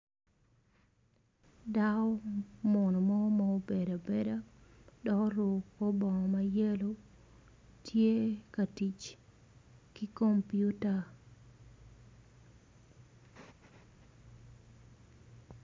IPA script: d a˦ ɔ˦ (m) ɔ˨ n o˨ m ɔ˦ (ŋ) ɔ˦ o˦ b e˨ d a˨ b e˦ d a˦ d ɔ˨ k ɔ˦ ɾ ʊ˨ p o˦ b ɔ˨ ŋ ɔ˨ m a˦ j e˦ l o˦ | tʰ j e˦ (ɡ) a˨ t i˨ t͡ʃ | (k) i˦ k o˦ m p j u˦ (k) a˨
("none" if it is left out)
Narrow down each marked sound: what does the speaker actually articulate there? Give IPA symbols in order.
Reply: m, m, k, k, t

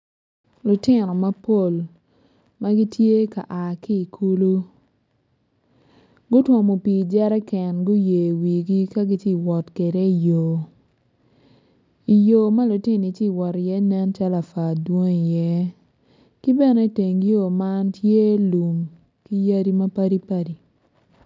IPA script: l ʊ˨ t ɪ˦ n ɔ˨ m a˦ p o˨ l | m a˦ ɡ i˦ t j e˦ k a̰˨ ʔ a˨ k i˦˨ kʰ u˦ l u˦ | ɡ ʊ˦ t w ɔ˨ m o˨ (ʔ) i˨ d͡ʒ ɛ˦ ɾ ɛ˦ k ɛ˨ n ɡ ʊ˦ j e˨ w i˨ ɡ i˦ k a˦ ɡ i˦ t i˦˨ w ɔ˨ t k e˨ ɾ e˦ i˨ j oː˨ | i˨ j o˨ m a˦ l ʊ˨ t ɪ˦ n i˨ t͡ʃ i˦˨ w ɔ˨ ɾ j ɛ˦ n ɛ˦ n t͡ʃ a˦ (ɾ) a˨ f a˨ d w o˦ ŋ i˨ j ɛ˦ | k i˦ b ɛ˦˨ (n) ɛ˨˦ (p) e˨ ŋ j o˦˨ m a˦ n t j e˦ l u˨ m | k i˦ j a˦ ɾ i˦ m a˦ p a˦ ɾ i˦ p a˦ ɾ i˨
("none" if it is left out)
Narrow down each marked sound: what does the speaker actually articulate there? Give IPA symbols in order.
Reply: p, l, n, t

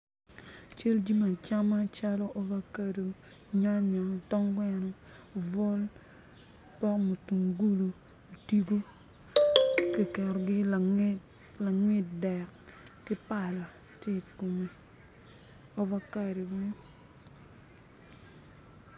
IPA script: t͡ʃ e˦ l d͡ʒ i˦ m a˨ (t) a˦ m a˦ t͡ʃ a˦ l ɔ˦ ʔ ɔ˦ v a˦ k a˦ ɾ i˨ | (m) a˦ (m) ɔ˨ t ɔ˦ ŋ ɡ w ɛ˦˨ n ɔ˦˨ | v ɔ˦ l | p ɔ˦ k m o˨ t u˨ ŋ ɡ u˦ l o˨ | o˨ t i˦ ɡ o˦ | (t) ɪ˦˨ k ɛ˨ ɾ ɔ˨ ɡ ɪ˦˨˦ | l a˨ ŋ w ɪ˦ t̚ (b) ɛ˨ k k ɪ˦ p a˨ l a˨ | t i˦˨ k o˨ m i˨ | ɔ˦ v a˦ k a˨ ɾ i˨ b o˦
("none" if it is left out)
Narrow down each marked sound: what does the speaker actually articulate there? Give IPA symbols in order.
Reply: t͡ʃ, ɲ, ɲ, k, d

